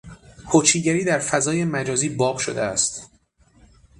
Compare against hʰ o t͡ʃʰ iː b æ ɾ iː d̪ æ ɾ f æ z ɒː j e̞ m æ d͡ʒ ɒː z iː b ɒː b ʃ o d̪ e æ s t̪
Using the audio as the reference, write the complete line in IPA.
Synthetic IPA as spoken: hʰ o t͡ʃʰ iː ɟ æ ɾ iː d̪ æ ɾ f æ z ɒː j e̞ m æ d͡ʒ ɒː z iː b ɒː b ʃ o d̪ e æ s t̪